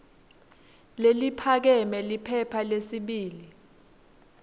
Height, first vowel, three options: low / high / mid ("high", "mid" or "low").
mid